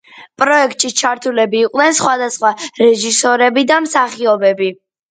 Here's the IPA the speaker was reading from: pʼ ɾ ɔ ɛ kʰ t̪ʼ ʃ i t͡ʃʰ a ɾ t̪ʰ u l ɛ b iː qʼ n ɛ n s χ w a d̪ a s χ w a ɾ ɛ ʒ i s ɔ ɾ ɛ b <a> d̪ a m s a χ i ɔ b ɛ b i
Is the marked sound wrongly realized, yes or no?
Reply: yes